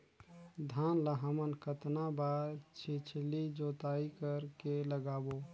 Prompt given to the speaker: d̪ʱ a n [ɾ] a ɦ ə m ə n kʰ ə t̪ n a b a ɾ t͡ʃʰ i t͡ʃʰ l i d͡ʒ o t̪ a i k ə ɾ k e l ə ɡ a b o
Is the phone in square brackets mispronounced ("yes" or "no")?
yes